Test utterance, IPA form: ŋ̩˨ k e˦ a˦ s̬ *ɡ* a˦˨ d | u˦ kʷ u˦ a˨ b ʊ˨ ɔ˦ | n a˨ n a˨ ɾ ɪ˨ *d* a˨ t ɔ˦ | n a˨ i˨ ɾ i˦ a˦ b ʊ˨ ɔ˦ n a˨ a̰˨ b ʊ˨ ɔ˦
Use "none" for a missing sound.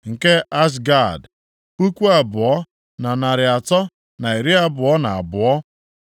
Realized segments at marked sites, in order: ɡ, none

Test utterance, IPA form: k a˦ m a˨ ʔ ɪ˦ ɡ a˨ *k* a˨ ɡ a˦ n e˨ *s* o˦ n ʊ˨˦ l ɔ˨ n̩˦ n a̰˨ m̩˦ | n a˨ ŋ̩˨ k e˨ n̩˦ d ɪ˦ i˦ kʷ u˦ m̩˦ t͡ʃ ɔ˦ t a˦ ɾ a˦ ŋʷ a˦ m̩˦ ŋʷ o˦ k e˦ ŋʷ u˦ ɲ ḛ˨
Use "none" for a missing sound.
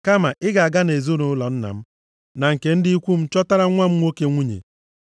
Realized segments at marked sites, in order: none, z

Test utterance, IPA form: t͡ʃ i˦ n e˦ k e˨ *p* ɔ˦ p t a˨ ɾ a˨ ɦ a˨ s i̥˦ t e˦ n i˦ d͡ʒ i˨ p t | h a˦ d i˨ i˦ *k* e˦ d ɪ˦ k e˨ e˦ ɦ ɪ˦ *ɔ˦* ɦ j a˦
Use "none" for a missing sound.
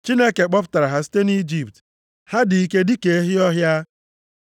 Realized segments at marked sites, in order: k͡p, k, ɔ˦

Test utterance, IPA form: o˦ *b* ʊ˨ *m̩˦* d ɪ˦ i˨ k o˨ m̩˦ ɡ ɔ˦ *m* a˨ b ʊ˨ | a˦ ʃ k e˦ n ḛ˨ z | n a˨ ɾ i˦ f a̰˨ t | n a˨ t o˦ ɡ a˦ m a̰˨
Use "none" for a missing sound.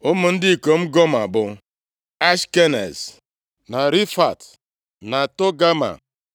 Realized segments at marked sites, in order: m, n̩˦, m

